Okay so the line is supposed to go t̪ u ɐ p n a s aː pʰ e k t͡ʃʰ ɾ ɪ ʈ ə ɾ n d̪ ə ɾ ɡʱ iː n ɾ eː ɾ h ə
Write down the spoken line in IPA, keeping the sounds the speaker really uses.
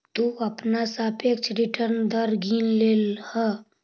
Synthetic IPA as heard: t̪ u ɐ p n a s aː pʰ e k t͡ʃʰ ɾ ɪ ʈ ə ɾ n d̪ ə ɾ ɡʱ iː n l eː l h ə